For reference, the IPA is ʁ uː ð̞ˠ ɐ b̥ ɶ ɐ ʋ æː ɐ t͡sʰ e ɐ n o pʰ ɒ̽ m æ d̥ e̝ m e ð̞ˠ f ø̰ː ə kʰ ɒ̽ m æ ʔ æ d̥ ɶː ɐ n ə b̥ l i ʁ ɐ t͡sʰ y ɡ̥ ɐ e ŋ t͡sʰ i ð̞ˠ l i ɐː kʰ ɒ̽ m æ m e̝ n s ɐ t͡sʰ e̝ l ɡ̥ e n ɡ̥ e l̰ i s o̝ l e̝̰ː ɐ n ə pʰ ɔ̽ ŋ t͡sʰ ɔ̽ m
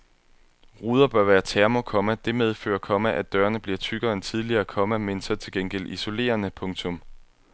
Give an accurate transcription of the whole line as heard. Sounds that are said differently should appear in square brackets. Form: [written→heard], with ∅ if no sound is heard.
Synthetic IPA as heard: ʁ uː ð̞ˠ ɐ b̥ ɶ ɐ ʋ æː ɐ t͡sʰ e ɐ [n→m] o [pʰ→kʰ] ɒ̽ m æ d̥ e̝ m e ð̞ˠ f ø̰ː [ə→ɐ] kʰ ɒ̽ m æ ʔ æ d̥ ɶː ɐ n ə b̥ l i [ʁ→∅] ɐ t͡sʰ y ɡ̥ ɐ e [ŋ→n] t͡sʰ i ð̞ˠ l i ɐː kʰ ɒ̽ m æ m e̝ n s ɐ t͡sʰ e̝ l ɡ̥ e n ɡ̥ e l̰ i s o̝ l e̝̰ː ɐ n ə pʰ ɔ̽ ŋ t͡sʰ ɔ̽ m